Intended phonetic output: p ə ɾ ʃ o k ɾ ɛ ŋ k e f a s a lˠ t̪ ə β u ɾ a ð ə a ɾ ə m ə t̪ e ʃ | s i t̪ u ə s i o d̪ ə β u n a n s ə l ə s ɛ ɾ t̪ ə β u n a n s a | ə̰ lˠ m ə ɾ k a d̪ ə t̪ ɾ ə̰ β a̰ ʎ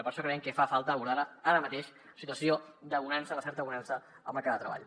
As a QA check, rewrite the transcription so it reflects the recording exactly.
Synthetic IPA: p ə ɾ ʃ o k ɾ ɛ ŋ k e f a f a lˠ t̪ ə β u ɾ a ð ə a ɾ ə m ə t̪ e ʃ | s i t̪ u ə s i o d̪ ə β u n a n s ə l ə s ɛ ɾ t̪ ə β u n a n s ə | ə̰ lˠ m ə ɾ k a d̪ ə t̪ ɾ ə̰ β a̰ ʎ